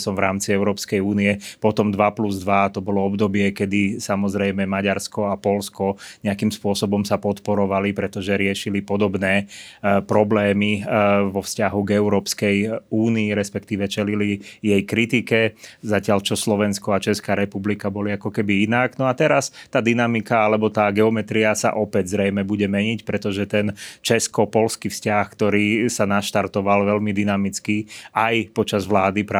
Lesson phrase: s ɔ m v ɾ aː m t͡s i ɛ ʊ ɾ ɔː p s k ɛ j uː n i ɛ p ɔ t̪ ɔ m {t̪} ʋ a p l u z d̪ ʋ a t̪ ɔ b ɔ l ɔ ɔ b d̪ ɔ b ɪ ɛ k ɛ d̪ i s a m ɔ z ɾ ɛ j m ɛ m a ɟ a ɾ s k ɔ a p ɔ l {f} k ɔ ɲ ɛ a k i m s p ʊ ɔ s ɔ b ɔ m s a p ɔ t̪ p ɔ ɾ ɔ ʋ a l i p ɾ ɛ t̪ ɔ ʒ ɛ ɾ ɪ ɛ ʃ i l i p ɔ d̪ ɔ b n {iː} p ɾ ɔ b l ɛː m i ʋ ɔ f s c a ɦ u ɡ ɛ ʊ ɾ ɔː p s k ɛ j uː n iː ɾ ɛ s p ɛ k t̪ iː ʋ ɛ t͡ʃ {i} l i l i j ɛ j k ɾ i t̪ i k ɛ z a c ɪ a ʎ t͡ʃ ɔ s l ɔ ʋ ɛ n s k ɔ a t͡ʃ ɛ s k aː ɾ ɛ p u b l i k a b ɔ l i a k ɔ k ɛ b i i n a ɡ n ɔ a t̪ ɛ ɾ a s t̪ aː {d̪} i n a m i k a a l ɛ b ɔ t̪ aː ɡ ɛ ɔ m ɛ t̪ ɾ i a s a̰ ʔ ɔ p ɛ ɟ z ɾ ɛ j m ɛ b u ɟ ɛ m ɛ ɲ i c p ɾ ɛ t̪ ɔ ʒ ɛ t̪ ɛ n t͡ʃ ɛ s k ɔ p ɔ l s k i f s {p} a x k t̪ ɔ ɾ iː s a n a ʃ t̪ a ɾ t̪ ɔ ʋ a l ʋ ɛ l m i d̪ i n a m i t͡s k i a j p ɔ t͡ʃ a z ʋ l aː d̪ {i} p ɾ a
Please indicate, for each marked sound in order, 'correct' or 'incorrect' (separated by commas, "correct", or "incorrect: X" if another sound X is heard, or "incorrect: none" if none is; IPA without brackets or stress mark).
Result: incorrect: d̪, incorrect: s, incorrect: ɛː, incorrect: ɛ, correct, incorrect: c, correct